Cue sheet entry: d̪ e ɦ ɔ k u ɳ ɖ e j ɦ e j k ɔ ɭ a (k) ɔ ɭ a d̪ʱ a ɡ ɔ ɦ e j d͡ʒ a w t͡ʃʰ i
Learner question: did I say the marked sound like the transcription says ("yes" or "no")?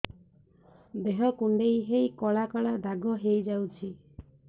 yes